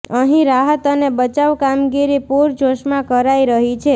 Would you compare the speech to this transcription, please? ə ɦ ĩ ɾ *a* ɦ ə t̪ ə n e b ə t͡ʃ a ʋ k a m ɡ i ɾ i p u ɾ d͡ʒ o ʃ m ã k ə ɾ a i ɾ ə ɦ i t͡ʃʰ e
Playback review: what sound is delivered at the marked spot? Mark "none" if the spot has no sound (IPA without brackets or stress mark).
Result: a